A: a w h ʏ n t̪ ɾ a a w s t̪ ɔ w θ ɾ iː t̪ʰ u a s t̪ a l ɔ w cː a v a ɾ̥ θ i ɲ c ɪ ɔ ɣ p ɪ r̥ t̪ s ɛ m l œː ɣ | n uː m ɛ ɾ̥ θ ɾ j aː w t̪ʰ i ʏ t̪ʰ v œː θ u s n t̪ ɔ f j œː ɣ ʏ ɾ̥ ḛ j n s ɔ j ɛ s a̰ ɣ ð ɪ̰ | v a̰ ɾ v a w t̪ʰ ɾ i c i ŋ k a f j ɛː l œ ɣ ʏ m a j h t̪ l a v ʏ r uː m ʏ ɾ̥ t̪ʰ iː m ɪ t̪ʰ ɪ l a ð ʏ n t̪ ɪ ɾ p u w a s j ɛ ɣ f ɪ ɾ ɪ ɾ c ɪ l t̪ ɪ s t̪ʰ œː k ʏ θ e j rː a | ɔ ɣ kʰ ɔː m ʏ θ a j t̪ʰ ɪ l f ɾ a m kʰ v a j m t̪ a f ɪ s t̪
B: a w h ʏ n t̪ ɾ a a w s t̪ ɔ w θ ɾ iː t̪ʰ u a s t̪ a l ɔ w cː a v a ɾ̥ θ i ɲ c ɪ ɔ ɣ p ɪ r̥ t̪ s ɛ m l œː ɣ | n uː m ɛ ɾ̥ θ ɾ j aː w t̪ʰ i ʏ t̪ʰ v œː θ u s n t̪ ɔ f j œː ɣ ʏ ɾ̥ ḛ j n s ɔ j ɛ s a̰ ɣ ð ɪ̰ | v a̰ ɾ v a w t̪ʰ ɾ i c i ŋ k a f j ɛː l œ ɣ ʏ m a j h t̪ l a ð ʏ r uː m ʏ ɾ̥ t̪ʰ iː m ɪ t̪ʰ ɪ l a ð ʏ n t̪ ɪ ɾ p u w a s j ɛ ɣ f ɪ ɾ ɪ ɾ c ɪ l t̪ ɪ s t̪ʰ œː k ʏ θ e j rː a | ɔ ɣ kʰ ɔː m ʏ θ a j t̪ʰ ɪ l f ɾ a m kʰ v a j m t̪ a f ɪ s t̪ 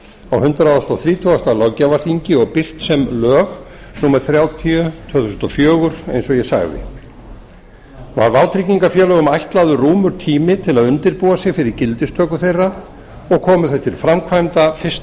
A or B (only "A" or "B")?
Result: B